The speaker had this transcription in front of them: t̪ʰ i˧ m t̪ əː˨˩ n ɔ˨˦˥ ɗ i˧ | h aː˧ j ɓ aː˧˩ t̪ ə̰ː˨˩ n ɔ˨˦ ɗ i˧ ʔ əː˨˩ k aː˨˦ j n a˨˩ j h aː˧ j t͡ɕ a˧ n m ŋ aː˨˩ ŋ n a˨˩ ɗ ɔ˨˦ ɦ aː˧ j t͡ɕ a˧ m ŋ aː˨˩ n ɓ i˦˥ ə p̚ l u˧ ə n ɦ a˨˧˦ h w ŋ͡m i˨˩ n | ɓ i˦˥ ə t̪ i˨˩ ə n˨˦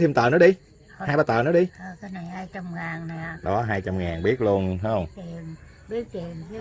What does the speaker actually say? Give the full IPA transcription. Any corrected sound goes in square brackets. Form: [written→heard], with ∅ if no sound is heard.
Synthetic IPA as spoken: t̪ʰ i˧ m t̪ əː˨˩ n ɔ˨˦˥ ɗ i˧ | h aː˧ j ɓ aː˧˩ t̪ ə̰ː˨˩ n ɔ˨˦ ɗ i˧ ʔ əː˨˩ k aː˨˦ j n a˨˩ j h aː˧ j t͡ɕ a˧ [n→∅] m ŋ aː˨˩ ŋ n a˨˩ ɗ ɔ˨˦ ɦ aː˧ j t͡ɕ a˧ m ŋ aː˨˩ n ɓ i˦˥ ə [p̚→t̚] l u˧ ə n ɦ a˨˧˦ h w ŋ͡m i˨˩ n | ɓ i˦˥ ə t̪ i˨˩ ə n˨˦

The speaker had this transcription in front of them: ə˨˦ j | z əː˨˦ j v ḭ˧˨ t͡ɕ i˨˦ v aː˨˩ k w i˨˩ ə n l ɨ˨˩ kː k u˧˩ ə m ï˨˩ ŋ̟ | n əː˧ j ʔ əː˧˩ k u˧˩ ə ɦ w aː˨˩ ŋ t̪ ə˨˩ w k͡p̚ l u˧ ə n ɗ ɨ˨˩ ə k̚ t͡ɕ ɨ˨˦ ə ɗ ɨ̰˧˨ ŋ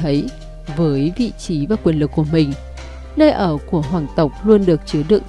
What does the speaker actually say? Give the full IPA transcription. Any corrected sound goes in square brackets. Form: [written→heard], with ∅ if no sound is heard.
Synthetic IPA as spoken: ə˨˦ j | [z→v] əː˨˦ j v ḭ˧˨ t͡ɕ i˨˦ v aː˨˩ k w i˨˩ ə n l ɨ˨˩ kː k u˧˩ ə m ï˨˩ ŋ̟ | n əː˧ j ʔ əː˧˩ k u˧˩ ə ɦ w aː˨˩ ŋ t̪ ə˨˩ w k͡p̚ l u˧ ə n ɗ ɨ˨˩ ə k̚ t͡ɕ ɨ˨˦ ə ɗ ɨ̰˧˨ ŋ

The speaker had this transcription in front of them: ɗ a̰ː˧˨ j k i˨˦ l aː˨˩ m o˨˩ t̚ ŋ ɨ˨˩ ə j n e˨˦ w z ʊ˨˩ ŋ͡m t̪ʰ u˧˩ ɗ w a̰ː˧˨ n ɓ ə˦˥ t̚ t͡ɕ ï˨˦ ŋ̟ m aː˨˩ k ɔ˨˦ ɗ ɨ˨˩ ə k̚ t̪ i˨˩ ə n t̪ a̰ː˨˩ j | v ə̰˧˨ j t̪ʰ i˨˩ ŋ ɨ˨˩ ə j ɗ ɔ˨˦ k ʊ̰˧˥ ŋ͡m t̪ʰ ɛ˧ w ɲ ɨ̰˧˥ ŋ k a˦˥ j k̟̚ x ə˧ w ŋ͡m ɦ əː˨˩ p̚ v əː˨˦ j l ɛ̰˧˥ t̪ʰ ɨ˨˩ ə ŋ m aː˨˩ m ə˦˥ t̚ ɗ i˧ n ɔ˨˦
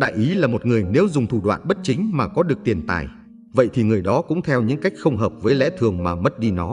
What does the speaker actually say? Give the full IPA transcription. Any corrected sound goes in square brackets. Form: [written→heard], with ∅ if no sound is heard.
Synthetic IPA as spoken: ɗ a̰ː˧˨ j [k→ʔ] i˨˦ l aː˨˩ m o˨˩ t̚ ŋ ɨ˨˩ ə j n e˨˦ w z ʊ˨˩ ŋ͡m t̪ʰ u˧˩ ɗ w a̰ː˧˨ n ɓ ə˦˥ t̚ t͡ɕ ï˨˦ ŋ̟ m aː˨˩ k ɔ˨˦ ɗ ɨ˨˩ ə k̚ t̪ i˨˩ ə n t̪ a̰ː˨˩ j | v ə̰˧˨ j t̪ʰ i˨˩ ŋ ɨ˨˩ ə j ɗ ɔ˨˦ k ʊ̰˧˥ ŋ͡m t̪ʰ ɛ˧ w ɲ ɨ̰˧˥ ŋ k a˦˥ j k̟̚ x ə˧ w ŋ͡m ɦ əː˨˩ p̚ v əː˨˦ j l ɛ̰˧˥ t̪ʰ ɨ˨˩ ə ŋ m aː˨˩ m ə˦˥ t̚ ɗ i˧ n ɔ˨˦

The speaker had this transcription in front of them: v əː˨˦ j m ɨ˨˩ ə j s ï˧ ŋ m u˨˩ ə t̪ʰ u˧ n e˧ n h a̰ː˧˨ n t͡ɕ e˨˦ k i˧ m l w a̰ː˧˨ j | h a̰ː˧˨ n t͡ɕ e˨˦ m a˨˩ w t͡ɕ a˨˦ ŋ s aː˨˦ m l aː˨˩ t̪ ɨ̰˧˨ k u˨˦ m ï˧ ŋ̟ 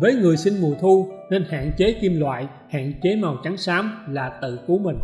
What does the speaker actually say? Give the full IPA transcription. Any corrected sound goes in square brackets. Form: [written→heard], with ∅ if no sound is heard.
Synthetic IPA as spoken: v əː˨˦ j [m→ŋ] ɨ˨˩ ə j s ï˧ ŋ m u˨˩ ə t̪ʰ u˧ n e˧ n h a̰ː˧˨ n t͡ɕ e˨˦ k i˧ m l w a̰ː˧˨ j | h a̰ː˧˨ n t͡ɕ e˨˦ m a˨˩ w t͡ɕ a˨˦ ŋ s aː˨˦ m l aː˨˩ t̪ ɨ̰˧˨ k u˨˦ m [ï˧→ï˨˩] ŋ̟

